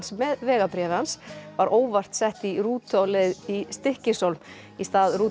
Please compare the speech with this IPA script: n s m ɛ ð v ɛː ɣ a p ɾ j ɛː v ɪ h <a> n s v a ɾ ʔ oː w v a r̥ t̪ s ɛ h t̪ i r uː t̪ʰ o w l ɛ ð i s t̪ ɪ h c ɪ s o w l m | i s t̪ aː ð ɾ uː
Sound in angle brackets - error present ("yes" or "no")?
no